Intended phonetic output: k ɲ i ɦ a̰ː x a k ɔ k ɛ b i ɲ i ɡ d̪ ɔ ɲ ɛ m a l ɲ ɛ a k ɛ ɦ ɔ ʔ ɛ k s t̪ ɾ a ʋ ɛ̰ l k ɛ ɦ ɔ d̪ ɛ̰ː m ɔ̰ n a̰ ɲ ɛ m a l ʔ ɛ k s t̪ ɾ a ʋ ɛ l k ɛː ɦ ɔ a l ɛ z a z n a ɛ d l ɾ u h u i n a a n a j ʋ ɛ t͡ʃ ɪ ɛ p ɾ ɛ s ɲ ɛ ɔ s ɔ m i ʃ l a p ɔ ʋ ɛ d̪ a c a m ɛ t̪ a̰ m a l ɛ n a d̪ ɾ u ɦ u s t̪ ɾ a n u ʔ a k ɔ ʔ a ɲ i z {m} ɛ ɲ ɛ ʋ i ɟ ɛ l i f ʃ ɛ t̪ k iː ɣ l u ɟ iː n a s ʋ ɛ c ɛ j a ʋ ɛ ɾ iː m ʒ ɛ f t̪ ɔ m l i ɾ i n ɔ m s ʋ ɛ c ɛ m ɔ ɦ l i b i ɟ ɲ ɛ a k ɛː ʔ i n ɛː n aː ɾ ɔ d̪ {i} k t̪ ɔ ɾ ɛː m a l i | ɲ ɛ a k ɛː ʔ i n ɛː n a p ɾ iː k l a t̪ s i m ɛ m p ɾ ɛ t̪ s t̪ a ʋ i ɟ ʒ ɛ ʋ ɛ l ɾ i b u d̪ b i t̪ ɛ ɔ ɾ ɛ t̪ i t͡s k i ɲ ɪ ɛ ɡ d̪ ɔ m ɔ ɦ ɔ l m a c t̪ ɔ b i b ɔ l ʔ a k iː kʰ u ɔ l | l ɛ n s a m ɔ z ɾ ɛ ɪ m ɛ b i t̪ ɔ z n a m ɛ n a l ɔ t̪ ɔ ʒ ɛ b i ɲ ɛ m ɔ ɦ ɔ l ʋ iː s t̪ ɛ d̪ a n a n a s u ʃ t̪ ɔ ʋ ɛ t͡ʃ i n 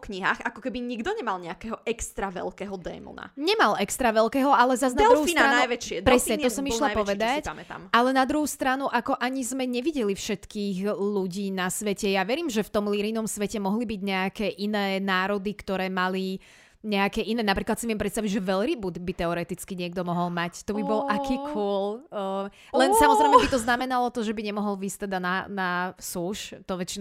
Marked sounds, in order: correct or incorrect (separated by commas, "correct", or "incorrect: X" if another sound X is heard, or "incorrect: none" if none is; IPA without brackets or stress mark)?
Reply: correct, correct